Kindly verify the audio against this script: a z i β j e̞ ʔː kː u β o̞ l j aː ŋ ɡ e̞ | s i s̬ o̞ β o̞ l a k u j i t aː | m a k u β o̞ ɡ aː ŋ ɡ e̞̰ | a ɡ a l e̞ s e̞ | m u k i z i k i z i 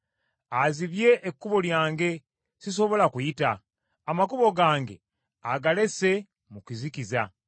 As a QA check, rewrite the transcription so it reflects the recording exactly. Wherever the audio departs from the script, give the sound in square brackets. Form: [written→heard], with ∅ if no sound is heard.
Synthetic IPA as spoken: a z i β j e̞ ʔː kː u β o̞ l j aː ŋ ɡ e̞ | s i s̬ o̞ β o̞ l a k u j i t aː | m a k u β o̞ ɡ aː ŋ ɡ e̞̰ | a ɡ a l e̞ s e̞ | m u k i z i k i z [i→a]